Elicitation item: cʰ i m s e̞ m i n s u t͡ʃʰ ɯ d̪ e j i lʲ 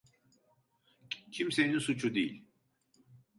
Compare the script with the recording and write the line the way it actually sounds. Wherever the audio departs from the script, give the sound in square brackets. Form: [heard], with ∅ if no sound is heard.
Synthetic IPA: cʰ i m s e̞ [n] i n s u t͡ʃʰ [u] d̪ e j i lʲ